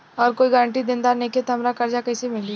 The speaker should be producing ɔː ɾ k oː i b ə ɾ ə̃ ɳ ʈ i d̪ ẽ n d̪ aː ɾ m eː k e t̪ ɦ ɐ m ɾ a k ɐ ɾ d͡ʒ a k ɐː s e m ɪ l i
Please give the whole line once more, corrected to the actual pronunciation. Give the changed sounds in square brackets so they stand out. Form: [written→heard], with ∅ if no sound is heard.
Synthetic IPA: ɔː ɾ k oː i [b→ɡ] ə ɾ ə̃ ɳ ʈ i d̪ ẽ n d̪ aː ɾ [m→n] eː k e t̪ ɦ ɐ m ɾ a k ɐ ɾ d͡ʒ a k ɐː s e m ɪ l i